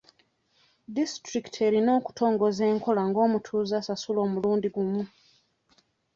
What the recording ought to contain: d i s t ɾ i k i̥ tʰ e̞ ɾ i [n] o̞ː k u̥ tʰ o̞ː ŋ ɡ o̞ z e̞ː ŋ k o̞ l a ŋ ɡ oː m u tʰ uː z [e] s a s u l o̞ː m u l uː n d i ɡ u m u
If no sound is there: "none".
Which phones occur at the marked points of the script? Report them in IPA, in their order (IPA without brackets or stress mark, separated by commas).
n, a